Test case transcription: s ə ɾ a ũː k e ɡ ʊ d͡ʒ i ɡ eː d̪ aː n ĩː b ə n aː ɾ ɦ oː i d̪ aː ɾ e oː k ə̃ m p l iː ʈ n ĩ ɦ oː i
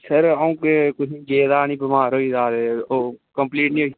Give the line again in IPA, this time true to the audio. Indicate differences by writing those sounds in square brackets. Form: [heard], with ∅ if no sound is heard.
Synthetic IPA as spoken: s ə ɾ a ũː k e [k] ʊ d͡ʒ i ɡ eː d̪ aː n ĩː b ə [m] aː ɾ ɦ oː i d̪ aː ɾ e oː k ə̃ m p l iː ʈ n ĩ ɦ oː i